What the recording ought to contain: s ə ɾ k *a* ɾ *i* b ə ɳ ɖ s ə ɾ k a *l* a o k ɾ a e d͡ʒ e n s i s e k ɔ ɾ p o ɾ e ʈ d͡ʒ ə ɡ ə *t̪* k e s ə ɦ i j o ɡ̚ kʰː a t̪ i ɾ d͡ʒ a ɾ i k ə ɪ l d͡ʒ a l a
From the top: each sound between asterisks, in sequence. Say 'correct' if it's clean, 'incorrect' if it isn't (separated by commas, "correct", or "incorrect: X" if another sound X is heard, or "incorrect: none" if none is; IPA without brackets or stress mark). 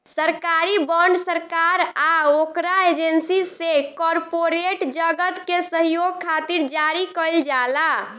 correct, correct, incorrect: ɾ, correct